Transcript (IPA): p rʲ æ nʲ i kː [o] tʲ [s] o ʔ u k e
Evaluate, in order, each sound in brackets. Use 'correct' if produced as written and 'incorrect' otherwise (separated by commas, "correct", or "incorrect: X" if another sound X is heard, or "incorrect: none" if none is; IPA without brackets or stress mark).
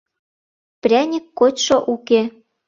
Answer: correct, incorrect: ʃ